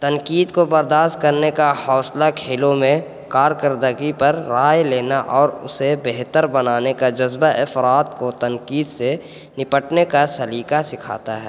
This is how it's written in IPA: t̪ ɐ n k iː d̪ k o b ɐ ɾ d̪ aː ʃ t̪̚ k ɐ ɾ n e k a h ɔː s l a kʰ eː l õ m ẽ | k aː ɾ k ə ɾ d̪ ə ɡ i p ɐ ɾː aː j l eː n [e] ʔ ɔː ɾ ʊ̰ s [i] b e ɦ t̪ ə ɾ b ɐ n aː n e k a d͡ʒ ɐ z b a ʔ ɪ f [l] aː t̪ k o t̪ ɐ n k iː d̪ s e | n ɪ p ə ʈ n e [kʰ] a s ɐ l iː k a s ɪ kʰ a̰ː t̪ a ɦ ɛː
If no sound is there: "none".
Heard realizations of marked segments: a, e, ɾ, k

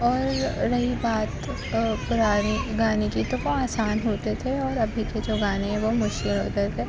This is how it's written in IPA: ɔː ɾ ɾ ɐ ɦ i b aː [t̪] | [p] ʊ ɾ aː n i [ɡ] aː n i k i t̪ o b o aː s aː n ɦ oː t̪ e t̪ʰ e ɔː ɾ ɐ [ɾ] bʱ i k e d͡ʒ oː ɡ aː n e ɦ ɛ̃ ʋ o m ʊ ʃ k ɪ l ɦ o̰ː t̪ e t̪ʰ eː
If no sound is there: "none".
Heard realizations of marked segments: t̪, p, ɡ, none

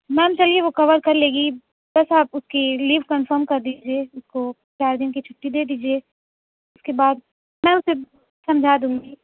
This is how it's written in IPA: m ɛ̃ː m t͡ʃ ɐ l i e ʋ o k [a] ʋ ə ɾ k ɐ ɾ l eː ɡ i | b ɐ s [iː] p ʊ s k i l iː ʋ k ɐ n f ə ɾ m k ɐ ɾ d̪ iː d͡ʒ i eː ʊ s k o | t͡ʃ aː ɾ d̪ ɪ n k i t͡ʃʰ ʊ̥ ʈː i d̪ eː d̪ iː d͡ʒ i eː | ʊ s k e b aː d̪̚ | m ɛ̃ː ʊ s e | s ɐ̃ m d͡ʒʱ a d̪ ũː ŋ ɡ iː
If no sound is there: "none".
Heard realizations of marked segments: ɐ, aː

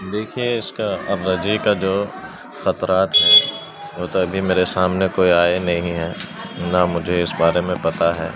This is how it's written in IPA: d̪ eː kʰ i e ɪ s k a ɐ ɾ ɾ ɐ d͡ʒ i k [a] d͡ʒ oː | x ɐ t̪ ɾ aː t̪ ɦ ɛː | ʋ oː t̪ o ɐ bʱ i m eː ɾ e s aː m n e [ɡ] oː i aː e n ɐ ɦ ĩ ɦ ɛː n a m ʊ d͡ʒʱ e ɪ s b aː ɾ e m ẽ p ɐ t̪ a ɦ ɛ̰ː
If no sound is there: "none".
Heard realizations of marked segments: a, k

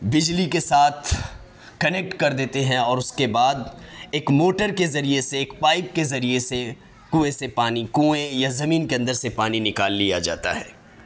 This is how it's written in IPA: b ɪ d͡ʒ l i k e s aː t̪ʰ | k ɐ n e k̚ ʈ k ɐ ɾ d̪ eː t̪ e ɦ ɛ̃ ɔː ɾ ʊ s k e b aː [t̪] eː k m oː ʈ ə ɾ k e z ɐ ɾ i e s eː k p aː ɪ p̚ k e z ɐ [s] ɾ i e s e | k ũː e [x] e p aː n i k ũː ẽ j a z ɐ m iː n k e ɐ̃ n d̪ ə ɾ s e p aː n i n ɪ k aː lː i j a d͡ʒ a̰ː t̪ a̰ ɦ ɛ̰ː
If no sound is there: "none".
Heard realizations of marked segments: d̪, none, s

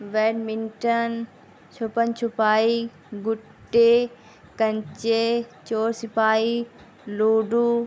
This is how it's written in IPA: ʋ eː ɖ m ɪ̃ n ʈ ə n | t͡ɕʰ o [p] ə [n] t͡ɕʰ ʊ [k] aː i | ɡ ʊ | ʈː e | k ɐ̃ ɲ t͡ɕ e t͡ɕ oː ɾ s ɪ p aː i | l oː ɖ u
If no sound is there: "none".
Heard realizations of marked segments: p, n, p

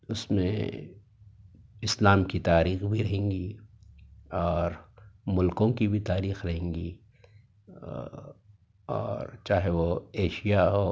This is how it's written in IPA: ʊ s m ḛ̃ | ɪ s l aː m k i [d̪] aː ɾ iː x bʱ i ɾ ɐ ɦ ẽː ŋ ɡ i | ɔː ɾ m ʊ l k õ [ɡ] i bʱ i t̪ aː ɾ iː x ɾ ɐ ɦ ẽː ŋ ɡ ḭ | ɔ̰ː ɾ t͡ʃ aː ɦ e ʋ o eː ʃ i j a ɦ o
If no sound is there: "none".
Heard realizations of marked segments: t̪, k

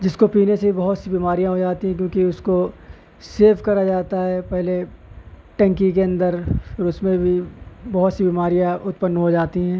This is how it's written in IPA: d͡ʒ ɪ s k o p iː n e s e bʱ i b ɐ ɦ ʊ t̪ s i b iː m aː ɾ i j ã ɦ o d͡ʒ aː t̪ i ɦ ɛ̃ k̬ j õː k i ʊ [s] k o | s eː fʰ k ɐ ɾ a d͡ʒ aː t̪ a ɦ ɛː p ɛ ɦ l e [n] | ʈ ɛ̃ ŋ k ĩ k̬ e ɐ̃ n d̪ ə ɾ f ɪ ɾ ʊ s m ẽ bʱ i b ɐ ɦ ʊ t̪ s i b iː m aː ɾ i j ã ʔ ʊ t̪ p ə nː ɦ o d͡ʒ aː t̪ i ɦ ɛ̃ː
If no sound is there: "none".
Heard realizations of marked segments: s, none

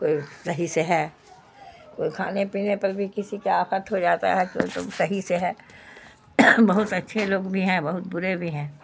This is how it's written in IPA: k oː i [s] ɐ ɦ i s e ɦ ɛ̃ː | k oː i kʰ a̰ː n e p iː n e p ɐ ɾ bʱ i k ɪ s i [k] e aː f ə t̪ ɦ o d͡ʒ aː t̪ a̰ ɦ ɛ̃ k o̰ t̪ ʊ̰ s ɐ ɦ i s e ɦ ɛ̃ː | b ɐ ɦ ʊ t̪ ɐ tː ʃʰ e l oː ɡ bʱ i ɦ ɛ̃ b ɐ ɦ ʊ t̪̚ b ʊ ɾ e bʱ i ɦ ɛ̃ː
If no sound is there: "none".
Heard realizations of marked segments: s, k

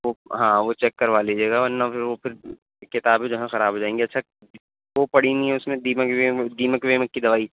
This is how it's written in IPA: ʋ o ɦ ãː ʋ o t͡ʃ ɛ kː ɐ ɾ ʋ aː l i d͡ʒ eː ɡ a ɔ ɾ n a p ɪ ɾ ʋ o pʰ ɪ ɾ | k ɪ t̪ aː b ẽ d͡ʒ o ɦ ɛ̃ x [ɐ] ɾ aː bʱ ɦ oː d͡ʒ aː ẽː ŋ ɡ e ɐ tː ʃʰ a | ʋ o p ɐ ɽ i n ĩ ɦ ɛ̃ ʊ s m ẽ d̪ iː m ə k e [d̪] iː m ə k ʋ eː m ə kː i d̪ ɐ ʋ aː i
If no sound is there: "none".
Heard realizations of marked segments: ɐ, d̪

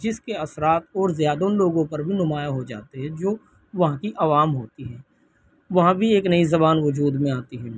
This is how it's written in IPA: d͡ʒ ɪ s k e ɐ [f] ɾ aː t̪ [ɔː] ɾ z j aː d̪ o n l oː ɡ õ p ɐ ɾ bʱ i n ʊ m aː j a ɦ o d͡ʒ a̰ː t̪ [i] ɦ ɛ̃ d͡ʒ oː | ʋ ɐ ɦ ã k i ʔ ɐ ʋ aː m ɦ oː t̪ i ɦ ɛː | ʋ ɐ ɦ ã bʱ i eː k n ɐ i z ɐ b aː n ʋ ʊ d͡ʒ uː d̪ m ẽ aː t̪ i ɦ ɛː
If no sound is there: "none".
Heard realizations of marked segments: s, ɔː, e

